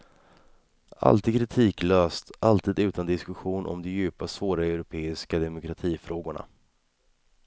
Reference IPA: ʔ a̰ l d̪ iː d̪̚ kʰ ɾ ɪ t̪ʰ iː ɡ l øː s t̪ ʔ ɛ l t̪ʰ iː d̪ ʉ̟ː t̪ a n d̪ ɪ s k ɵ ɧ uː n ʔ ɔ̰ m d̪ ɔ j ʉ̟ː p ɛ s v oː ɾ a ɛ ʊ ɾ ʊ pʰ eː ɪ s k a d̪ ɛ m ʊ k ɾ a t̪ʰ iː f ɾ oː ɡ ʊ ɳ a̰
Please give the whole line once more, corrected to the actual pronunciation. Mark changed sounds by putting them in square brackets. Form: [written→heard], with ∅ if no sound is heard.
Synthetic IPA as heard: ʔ a̰ l [d̪→t̪] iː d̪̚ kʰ ɾ ɪ t̪ʰ iː [ɡ→k] l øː s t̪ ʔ [ɛ→a] l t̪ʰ iː d̪ ʉ̟ː t̪ a n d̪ ɪ s k ɵ ɧ uː n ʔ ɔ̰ m d̪ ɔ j ʉ̟ː p [ɛ→a] s v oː ɾ a ɛ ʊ ɾ ʊ pʰ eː ɪ s k a d̪ ɛ m ʊ k ɾ a t̪ʰ iː f ɾ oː ɡ ʊ ɳ a̰